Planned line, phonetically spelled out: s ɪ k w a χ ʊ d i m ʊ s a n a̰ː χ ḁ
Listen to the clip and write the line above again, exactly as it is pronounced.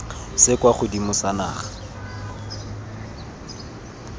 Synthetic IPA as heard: s ɪ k w a χ ʊ d i m ʊ s a n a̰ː χ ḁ